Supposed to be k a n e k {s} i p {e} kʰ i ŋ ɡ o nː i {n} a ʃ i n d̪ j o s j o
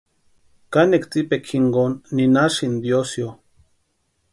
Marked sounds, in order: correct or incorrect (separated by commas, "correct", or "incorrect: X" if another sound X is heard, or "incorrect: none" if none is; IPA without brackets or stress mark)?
incorrect: t͡s, correct, correct